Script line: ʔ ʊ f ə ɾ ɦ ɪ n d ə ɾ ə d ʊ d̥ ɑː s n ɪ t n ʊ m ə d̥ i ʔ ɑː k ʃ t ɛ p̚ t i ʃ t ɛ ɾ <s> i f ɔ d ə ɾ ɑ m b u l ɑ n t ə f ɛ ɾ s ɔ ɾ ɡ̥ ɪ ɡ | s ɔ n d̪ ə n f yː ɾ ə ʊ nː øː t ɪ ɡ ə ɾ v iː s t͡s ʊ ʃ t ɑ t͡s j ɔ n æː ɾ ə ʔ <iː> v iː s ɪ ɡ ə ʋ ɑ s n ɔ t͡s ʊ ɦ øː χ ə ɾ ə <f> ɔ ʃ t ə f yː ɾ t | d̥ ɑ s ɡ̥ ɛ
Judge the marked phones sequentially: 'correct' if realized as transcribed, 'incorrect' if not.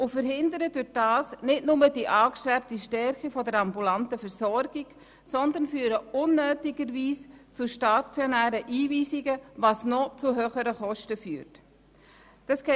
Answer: incorrect: χ, correct, incorrect: χ

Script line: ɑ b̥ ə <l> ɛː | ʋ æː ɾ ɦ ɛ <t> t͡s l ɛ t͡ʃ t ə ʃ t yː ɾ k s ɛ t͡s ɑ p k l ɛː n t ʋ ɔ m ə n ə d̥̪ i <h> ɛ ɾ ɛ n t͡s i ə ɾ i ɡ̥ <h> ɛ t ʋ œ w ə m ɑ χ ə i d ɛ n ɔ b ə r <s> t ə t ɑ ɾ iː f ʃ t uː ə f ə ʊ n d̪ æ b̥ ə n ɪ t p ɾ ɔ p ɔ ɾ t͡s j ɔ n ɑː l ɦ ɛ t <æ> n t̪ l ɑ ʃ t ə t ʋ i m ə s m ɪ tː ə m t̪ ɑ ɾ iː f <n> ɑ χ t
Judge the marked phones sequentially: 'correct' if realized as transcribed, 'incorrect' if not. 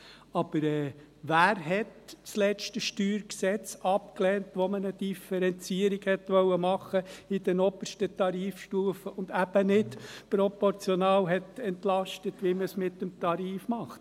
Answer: incorrect: ɾ, correct, incorrect: f, correct, incorrect: ʃ, incorrect: ɛ, incorrect: m

